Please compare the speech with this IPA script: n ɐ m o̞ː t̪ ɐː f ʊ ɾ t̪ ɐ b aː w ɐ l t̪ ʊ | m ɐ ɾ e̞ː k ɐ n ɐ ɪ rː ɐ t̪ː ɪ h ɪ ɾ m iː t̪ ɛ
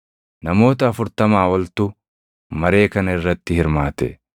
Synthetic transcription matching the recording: n ɐ m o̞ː t̪ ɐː f ʊ ɾ t̪ ɐ m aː w ɐ l t̪ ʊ | m ɐ ɾ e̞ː k ɐ n ɐ ɪ rː ɐ t̪ː ɪ h ɪ ɾ m aː t̪ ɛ